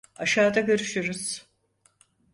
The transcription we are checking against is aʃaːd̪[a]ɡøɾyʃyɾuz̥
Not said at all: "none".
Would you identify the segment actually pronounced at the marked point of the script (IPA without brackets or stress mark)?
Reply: a